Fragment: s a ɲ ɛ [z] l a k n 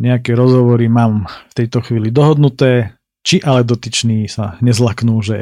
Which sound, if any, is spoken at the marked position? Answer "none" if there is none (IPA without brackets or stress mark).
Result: z